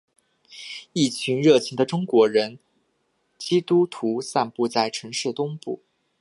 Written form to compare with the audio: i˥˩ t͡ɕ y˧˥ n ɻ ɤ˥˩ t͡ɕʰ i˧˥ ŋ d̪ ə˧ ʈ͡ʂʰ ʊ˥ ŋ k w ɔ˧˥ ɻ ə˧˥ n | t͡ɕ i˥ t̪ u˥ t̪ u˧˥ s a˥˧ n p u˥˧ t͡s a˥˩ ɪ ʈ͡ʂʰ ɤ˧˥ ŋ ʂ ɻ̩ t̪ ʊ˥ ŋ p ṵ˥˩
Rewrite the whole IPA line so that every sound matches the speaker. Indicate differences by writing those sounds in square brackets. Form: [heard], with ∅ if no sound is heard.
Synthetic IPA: i˥˩ [t͡ɕʰ] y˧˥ n ɻ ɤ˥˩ t͡ɕʰ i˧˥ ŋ d̪ ə˧ [ʈ͡ʂ] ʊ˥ ŋ k w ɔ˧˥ ɻ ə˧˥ n | t͡ɕ i˥ t̪ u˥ [t̪ʰ] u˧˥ s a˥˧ n p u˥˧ t͡s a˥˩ ɪ ʈ͡ʂʰ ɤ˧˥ ŋ ʂ ɻ̩ t̪ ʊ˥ ŋ p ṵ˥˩